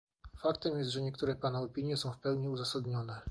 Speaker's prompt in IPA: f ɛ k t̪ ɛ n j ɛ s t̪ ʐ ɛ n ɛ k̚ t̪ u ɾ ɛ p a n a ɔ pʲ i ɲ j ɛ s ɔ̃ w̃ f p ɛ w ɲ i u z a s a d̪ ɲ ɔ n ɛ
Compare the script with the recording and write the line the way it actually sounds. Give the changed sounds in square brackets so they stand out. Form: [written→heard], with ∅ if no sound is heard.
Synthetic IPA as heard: f [ɛ→a] k t̪ ɛ [n→m] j ɛ s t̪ ʐ ɛ [n→ɲ] ɛ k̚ t̪ u ɾ ɛ p a n a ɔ pʲ i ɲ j ɛ s ɔ̃ w̃ f p ɛ w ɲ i u z a s a d̪ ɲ ɔ n ɛ